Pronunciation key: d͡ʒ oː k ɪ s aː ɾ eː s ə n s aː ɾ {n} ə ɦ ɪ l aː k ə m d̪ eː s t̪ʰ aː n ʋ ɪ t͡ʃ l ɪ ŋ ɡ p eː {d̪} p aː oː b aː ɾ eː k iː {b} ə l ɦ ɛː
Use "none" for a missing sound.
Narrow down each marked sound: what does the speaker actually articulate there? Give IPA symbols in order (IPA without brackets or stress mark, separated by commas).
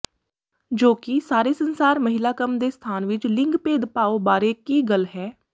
m, d̪, ɡ